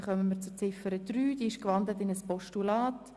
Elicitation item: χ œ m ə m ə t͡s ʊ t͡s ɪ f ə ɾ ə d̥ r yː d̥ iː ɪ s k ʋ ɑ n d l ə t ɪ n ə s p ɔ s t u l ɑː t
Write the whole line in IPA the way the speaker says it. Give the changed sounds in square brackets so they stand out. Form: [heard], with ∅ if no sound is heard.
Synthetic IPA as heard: χ œ m ə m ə t͡s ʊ t͡s ɪ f ə ɾ ə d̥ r yː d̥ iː ɪ [ʃ] k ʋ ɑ n d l ə t ɪ n ə s p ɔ [ʃ] t u l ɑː t